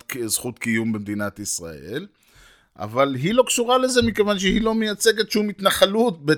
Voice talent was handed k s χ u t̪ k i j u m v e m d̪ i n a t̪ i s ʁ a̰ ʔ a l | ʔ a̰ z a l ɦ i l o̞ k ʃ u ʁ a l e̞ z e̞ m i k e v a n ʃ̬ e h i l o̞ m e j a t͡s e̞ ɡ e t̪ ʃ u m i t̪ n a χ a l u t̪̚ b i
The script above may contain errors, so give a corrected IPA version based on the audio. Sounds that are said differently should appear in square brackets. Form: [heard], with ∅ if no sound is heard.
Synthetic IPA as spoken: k [z] χ u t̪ k i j u m [b] e m d̪ i n a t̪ i s ʁ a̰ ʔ [e] l | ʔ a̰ [v] a l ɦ i l o̞ k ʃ u ʁ a l e̞ z e̞ m i k e v a n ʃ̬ e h i l o̞ m e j a t͡s e̞ ɡ e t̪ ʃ u m i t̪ n a χ a l u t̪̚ b [e]